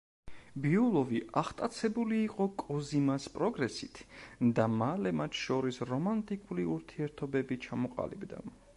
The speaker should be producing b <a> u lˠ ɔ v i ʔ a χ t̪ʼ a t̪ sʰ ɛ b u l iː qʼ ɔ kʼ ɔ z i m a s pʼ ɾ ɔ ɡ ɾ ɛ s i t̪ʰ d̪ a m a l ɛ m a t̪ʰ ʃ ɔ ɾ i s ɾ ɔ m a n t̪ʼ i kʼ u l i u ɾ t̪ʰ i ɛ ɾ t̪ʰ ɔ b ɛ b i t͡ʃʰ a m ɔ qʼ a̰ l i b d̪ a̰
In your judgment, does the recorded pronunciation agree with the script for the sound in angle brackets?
no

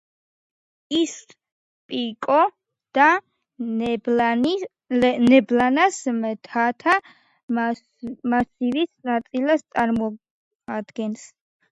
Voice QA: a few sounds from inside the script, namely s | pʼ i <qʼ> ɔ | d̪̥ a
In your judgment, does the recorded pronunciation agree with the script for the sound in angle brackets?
no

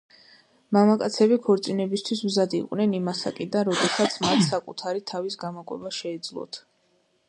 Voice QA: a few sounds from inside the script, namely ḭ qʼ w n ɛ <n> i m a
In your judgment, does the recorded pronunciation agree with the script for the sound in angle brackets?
yes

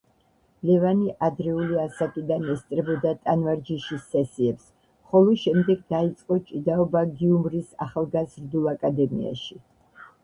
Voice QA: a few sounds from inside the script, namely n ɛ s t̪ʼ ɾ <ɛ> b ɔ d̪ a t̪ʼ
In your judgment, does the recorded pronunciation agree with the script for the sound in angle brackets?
yes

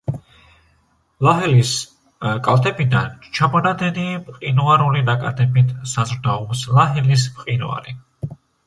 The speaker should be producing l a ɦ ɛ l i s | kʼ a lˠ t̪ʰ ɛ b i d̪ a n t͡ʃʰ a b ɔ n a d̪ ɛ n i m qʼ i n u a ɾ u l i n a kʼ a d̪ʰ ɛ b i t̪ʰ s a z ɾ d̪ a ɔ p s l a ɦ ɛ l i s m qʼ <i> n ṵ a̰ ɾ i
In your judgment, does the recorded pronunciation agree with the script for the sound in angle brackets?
yes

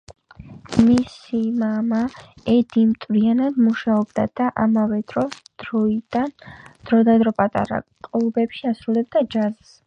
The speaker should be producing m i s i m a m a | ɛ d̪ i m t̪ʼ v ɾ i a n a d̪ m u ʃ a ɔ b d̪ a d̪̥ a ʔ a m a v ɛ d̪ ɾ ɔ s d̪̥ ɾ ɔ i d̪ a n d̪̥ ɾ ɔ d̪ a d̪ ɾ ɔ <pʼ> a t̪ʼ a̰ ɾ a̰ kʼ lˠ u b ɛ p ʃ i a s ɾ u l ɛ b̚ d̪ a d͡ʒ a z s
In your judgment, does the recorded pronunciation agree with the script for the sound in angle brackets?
yes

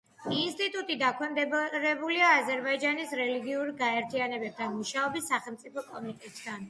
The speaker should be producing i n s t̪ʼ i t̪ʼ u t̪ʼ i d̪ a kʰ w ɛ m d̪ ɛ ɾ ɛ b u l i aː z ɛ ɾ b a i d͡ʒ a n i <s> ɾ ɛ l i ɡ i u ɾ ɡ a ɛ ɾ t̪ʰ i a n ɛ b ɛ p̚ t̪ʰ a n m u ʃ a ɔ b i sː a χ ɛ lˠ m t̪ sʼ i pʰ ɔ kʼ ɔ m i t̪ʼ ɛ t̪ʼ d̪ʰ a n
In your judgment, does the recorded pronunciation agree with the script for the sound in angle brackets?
yes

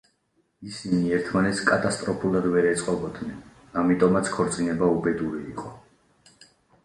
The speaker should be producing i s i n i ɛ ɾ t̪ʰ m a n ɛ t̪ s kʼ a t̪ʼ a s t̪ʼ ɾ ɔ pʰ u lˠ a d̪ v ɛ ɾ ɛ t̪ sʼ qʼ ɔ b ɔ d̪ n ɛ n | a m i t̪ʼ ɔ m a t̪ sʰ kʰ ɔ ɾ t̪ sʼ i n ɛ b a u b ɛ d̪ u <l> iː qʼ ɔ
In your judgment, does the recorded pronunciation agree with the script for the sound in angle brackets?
no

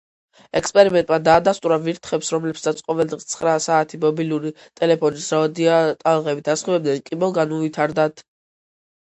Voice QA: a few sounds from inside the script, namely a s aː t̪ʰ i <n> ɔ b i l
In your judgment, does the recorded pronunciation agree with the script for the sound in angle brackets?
no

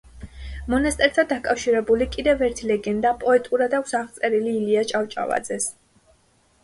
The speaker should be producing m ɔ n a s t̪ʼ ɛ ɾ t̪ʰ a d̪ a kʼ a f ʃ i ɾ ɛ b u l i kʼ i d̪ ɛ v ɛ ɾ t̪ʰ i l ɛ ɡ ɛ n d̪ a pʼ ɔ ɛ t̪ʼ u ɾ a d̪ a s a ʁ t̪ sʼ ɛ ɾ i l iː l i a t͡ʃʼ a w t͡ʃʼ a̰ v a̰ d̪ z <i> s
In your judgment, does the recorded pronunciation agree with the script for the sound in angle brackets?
no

